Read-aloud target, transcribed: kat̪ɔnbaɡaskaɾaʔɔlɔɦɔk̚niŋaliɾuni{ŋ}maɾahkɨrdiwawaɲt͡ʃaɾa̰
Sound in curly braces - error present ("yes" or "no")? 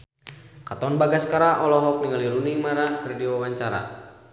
no